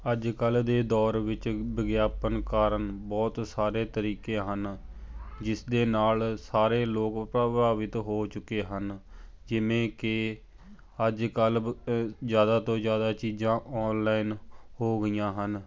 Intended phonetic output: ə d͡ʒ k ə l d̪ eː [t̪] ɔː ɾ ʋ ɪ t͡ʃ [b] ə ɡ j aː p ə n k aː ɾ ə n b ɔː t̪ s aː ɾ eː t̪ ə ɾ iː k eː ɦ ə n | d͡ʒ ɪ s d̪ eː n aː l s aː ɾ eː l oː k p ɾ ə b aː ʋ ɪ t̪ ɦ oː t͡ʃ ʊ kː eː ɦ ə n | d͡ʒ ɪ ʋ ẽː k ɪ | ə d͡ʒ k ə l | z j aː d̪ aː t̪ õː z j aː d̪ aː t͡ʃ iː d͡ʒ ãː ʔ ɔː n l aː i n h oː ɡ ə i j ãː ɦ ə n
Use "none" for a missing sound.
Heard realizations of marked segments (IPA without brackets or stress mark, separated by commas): d̪, b